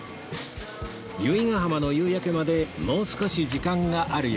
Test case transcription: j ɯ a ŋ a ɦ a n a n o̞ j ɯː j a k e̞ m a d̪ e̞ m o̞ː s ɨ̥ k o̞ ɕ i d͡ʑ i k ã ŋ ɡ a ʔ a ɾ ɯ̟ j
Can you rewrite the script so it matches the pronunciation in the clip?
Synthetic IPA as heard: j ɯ i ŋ a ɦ a m a n o̞ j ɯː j a k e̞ m a d̪ e̞ m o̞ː s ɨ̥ k o̞ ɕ i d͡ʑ i k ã ŋ ɡ a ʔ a ɾ ɯ̟ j